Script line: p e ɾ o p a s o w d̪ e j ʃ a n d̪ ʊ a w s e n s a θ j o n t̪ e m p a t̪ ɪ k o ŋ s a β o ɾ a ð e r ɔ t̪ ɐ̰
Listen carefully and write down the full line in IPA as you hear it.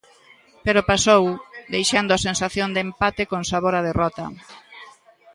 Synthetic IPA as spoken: p e ɾ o p a s o w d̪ e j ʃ a n d̪ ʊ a s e n s a θ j o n d̪ e m p a t̪ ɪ k o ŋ s a β o ɾ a ð e r ɔ t̪ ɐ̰

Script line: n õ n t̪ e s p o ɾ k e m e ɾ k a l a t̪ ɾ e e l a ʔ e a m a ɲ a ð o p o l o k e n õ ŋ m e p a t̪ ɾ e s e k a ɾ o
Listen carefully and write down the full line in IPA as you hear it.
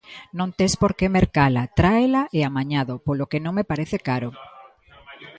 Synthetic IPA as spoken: n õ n t̪ e s p o ɾ k e m e ɾ k a l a t̪ ɾ a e l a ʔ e a m a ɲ a ð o p o l o k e n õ ŋ m e p a ɾ e θ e k a ɾ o

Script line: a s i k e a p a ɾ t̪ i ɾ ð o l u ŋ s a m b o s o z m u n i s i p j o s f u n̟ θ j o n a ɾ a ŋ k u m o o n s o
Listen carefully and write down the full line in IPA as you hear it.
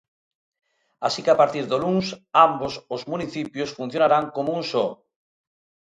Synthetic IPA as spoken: a s i k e a p a ɾ t̪ i ɾ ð o l u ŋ s a m b o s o z m u n i θ i p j o s f u n̟ θ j o n a ɾ a ŋ k o m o u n s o

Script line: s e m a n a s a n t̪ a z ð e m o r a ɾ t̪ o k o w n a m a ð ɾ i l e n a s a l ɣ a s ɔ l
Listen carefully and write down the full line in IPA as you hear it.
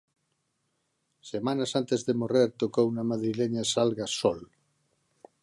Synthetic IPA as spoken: s e m a n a s a n t̪ e z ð e m o r e ɾ t̪ o k o w n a m a ð ɾ i l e ɲ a s a l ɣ a s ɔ l

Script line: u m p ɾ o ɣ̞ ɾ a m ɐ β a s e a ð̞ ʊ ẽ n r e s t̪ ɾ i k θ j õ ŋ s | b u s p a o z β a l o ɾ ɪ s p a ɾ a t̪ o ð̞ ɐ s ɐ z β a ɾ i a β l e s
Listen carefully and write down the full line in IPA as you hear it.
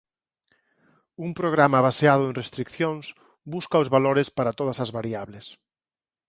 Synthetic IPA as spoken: u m p ɾ o ɣ̞ ɾ a m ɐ β a s e a ð̞ ʊ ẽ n r e s t̪ ɾ i k θ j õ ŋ s | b u s k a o z β a l o ɾ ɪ s p a ɾ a t̪ o ð̞ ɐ s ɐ z β a ɾ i a β l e s

